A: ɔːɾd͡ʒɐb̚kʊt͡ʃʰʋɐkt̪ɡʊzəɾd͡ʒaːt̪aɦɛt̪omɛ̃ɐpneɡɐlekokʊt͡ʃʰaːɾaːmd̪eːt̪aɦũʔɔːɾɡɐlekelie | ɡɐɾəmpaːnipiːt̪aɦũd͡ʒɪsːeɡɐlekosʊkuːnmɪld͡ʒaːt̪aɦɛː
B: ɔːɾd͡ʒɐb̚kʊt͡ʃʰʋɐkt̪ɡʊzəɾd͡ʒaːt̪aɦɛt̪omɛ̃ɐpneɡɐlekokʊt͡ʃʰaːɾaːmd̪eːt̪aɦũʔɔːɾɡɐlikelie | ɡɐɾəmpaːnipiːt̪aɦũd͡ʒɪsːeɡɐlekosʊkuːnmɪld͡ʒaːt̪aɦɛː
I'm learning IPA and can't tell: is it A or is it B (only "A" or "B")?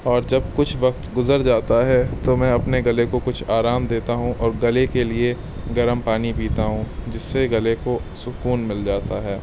A